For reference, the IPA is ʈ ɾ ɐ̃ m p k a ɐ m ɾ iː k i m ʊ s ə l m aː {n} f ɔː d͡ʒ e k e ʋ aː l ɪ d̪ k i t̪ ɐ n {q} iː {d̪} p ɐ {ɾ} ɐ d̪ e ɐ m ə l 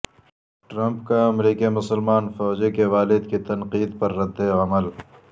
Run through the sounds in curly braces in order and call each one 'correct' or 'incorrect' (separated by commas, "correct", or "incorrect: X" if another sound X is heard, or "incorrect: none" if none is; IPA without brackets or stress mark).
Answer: correct, correct, correct, incorrect: ɾː